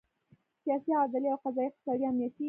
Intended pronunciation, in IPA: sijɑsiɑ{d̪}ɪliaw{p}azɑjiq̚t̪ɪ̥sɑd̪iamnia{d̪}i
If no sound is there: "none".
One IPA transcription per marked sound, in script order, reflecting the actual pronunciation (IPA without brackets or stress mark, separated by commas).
d̪, q, t̪